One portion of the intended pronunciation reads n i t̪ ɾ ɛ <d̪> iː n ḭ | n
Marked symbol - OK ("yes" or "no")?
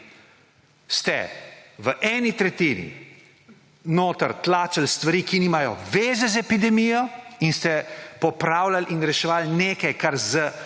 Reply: no